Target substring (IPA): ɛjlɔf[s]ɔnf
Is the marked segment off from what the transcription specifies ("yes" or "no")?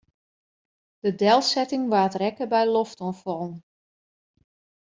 yes